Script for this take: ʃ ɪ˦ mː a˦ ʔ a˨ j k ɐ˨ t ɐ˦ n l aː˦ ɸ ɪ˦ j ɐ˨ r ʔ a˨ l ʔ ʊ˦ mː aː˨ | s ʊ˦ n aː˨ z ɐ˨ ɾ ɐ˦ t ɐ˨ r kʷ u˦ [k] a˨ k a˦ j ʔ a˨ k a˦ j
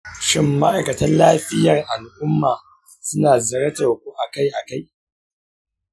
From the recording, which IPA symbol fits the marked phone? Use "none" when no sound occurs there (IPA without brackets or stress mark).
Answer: ʔ